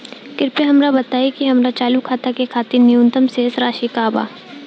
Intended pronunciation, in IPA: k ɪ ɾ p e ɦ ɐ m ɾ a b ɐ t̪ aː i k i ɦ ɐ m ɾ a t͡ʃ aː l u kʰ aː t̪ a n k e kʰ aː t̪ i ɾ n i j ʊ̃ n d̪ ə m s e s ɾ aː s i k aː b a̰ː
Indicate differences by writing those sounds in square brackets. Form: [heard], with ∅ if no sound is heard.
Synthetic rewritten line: k ɪ ɾ p e ɦ ɐ m ɾ a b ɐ t̪ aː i k i ɦ ɐ m ɾ a t͡ʃ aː l u kʰ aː t̪ a [∅] k e kʰ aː t̪ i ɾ n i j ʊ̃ n [t̪] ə m s e s ɾ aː [ʃ] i k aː b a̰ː